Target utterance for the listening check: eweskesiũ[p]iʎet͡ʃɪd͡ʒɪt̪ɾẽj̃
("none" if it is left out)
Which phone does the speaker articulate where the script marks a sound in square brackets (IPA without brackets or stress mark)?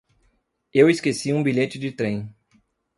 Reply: b